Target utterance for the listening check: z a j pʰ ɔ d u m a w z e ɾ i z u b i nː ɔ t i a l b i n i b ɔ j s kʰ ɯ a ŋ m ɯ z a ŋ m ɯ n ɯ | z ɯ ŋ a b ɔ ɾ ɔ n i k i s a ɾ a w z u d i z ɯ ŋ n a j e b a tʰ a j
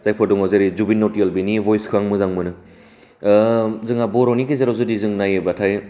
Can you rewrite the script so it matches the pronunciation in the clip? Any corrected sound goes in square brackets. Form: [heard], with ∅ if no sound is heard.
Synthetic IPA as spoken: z a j pʰ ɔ d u [ŋ] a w z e ɾ i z u b i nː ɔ t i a l b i n i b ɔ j s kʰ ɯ a ŋ m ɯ z a ŋ m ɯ n ɯ | z ɯ ŋ a b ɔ ɾ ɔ n i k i [z] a ɾ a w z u d i z ɯ ŋ n a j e b a tʰ a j